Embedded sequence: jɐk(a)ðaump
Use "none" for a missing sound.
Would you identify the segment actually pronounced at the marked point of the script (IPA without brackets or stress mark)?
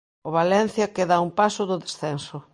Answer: e